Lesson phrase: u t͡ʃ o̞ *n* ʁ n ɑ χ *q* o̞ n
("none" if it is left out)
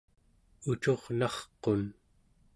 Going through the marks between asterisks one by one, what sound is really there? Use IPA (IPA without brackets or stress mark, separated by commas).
none, q